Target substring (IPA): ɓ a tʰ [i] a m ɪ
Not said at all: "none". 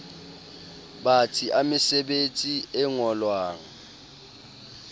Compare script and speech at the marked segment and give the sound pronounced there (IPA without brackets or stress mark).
i